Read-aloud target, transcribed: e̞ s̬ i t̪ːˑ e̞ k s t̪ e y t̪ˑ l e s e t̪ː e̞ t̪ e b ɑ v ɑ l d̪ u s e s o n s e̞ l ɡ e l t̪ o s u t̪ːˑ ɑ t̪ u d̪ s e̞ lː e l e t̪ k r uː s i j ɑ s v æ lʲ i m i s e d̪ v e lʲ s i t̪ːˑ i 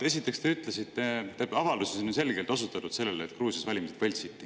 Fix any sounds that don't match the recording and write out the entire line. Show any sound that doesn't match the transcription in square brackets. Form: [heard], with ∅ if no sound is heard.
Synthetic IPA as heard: e̞ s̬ i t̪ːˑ e̞ k s t̪ e y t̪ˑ l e s [i] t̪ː e̞ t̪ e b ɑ v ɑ l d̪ u s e s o n s e̞ l ɡ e l t̪ o s u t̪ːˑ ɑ t̪ u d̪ s e̞ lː e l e t̪ k r uː s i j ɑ s v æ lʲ i m i s e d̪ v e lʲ s i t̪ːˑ i

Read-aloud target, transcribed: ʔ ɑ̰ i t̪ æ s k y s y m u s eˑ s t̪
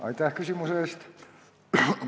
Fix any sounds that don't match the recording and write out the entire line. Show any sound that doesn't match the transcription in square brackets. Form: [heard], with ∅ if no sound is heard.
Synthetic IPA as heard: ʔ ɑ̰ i t̪ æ [h] k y s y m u s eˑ s t̪

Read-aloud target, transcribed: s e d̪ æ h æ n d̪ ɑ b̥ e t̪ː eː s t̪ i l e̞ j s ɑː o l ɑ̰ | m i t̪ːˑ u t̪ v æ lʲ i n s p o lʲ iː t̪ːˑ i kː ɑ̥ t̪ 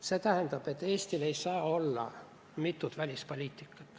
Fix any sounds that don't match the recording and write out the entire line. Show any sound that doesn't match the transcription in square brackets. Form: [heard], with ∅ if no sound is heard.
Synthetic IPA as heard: s e [t̪] æ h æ n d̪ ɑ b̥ e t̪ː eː s t̪ i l e̞ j s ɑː o [lː] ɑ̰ | m i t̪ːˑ u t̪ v æ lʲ i [∅] s p o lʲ iː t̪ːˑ i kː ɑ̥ t̪

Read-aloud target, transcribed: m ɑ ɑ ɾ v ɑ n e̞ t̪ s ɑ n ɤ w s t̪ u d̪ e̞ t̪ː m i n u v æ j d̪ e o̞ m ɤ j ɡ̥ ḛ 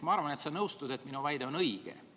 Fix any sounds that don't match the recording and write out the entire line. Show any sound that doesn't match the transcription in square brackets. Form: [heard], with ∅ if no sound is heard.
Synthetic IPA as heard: m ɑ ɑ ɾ v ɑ n e̞ t̪ s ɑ n ɤ w s t̪ u d̪ e̞ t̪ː m i n u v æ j d̪ e o̞ [n] ɤ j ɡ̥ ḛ

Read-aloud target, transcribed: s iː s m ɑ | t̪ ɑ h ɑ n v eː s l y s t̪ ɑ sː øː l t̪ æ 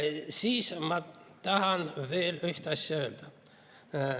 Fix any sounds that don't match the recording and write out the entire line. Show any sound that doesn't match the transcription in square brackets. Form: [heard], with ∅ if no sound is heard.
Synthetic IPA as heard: s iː s m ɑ | t̪ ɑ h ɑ n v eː [∅] l y [h] t̪ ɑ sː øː l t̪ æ

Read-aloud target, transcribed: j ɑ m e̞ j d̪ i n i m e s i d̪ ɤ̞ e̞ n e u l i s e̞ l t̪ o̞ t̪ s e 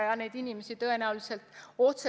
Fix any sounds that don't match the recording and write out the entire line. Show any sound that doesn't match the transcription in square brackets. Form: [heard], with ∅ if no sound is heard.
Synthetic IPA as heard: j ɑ [n] e̞ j d̪ i n i m e s i [t̪] ɤ̞ e̞ n [æ] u l i s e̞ l t̪ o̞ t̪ s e

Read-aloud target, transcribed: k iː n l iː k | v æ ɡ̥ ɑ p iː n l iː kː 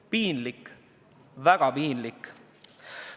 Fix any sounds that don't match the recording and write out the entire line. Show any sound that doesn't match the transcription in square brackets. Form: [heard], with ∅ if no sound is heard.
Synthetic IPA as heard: [p] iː n l [i] k | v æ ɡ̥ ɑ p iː n l [i] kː

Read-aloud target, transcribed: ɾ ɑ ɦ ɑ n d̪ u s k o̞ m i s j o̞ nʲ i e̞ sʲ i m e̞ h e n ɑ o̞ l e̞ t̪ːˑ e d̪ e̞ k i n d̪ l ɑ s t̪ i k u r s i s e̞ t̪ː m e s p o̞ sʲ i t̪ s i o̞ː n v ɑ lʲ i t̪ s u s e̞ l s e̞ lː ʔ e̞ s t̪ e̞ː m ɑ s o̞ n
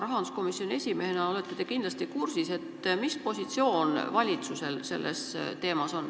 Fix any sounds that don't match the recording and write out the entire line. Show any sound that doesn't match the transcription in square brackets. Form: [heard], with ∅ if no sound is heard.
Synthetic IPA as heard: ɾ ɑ ɦ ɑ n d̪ u s k o̞ m i s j o̞ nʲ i e̞ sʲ i m e̞ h e n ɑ o̞ l e̞ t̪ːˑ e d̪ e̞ k i n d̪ l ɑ s t̪ i k u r s i s e̞ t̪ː m [i] s p o̞ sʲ i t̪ s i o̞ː n v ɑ lʲ i t̪ s u s e̞ l s e̞ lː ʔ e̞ s t̪ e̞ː m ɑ s o̞ n

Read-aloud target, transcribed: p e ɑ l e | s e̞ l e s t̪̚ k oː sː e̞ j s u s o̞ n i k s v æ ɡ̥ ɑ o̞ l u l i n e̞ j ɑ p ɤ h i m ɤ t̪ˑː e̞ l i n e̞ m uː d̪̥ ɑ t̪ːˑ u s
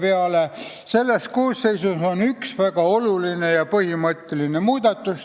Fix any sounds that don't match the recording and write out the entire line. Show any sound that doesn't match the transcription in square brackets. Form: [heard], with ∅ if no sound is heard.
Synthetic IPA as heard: p e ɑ l e | s e̞ [lː] e s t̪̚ k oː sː e̞ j s u s o̞ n [y] k s v æ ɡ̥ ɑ o̞ l u l i n e̞ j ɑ p ɤ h i m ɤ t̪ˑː e̞ l i n e̞ m uː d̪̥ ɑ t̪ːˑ u s

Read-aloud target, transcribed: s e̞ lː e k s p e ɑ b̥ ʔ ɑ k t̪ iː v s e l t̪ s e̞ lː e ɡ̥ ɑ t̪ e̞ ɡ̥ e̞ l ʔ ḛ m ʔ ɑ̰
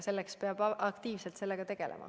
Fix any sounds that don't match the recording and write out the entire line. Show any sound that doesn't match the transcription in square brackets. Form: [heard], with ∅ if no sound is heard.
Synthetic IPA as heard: s e̞ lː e k s p e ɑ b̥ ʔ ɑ k t̪ iː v s e l t̪ s e̞ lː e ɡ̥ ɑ t̪ e̞ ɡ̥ e̞ l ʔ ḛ m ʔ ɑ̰

